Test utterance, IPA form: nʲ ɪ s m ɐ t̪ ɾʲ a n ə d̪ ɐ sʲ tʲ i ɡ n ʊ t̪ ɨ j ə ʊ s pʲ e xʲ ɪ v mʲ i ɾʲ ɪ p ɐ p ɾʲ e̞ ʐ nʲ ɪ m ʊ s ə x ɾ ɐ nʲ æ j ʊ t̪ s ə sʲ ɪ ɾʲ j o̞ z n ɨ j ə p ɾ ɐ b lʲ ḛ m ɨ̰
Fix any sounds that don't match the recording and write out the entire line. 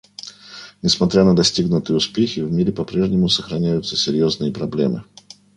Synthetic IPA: nʲ ɪ s m ɐ t̪ ɾʲ a n ə d̪ ɐ sʲ tʲ i ɡ n ʊ t̪ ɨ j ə ʊ s pʲ e xʲ ɪ v mʲ i ɾʲ ɪ p ɐ p ɾʲ e̞ ʐ nʲ ɪ m ʊ s ə x ɾ ɐ nʲ æ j ʊ t̪ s ə sʲ ɪ ɾʲ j o̞ z n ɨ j ə p ɾ ɐ b lʲ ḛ m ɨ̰